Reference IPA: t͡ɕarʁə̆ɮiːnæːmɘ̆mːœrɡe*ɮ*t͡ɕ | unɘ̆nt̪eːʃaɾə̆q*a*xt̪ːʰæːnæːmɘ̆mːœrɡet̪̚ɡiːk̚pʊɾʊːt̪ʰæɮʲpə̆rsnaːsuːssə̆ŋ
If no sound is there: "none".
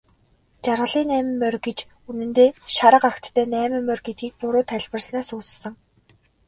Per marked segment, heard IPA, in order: none, a

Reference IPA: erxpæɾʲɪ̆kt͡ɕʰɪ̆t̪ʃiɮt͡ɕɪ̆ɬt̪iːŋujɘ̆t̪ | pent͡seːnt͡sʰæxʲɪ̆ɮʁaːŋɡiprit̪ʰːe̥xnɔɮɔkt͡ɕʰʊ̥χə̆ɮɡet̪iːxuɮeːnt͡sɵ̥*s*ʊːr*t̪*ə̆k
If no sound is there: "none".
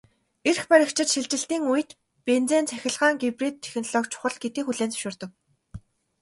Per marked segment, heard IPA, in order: ʃ, t̪

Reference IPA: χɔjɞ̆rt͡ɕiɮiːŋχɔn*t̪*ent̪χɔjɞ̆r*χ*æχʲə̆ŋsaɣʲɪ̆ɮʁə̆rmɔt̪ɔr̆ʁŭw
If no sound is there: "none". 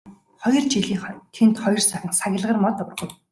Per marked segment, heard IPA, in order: t̪ʰ, s

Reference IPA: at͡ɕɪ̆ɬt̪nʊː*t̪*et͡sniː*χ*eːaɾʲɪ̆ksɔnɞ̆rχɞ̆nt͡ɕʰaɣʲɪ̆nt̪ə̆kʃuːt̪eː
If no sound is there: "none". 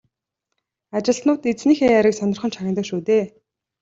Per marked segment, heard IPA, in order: t̪, x

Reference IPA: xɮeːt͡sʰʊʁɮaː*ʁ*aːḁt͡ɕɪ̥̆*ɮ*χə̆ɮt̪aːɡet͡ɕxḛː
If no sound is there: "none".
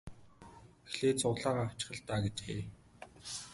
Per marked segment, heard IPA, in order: ʁ, none

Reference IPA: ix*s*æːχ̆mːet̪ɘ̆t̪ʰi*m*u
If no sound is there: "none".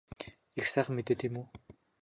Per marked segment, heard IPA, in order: s, m

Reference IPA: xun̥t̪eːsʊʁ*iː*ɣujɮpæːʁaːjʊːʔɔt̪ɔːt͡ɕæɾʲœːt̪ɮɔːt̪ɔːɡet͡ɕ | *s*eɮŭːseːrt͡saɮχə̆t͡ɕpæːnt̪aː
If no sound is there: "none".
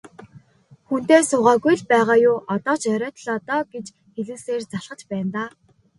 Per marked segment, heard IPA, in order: aː, x

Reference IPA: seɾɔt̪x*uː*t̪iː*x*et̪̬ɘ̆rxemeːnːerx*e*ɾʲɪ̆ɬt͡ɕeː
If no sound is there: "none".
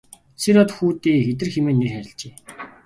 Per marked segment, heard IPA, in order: uː, x, æ

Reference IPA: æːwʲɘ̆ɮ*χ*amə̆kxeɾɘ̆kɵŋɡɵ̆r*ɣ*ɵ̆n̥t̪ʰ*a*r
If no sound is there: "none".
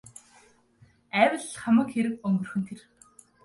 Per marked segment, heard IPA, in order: χ, x, e

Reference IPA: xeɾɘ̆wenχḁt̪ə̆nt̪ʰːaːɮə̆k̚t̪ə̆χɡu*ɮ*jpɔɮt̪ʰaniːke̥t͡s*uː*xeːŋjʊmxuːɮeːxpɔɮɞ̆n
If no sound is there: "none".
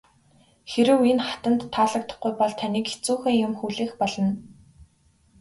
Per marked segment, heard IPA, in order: none, uː

